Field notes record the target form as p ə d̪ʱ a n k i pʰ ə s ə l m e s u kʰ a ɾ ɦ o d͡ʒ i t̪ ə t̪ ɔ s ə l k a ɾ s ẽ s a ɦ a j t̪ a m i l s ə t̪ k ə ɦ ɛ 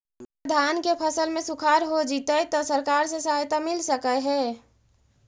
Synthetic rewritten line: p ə d̪ʱ a n k e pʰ ə s ə l m e s u kʰ a ɾ ɦ o d͡ʒ i t̪ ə t̪ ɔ s ə ɾ k a ɾ s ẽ s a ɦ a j t̪ a m i l s ə k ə ɦ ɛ